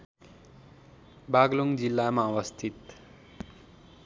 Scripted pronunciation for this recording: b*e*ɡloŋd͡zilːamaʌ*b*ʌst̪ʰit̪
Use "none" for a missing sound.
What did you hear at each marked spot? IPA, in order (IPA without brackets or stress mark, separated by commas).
a, w